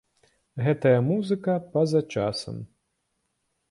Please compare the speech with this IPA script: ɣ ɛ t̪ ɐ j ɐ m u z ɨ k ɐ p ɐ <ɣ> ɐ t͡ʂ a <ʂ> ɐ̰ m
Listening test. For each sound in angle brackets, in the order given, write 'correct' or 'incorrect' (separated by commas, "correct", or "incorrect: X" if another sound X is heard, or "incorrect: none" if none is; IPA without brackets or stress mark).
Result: incorrect: z, incorrect: s